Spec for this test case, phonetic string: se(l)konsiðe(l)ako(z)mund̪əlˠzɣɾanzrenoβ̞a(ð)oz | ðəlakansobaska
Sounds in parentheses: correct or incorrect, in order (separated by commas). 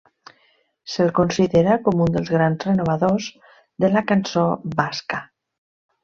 correct, incorrect, incorrect, correct